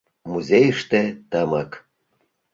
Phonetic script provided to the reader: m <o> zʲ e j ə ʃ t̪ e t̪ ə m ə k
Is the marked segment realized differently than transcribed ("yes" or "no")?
yes